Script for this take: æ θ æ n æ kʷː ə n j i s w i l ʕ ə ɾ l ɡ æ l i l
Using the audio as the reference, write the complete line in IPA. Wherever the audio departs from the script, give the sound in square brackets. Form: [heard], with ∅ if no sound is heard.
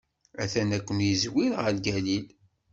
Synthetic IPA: æ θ æ n æ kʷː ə n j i [z] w i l [ʁ] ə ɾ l ɡ æ l i l